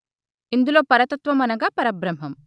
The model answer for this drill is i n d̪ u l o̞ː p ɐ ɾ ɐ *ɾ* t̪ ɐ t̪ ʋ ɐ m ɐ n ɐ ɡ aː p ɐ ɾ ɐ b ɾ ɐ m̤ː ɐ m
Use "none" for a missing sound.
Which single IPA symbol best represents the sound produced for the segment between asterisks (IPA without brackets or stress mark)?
none